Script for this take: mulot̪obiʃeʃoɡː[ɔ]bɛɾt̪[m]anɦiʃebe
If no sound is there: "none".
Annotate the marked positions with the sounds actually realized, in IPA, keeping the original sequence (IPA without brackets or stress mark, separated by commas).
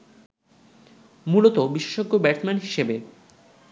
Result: o, m